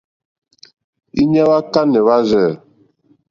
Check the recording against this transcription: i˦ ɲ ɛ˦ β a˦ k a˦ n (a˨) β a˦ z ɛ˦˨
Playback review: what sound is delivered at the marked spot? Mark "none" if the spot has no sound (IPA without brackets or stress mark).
ɛ˨